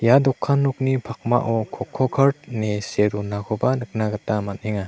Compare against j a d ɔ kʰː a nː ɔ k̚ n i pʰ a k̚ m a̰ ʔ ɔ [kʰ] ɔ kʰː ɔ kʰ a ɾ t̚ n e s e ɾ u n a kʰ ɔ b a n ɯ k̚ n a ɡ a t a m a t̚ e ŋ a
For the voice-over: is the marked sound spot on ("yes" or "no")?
yes